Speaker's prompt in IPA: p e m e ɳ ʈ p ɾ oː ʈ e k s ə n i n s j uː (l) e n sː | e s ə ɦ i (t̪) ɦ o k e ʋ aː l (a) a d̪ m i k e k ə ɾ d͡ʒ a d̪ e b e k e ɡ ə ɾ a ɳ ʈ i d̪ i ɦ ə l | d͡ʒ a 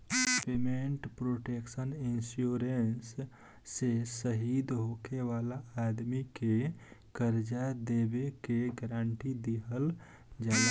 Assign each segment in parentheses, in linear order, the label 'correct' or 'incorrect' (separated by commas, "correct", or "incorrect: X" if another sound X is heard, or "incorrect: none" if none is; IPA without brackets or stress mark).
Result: incorrect: ɾ, incorrect: d̪, correct